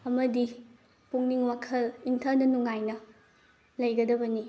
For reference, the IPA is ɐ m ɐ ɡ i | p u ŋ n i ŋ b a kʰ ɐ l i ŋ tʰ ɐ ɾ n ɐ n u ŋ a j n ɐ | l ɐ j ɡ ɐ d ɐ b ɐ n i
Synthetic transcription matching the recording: ɐ m ɐ d i | p u ŋ n i ŋ w a kʰ ɐ l i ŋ tʰ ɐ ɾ n ɐ n u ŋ a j n ɐ | l ɐ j ɡ ɐ d ɐ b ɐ n i